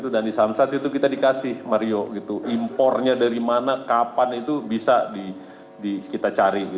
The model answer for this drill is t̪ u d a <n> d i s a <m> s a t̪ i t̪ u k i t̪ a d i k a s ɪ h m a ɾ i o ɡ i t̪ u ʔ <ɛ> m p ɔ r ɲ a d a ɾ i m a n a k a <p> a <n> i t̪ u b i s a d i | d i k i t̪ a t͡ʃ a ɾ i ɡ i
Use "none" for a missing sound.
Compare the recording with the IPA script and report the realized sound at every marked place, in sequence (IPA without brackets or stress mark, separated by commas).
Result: n, m, i, p, n